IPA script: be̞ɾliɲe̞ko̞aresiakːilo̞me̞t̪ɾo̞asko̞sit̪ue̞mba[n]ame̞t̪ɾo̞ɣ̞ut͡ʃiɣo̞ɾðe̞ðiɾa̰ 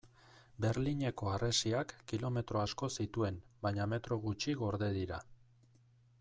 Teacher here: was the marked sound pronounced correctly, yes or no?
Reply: no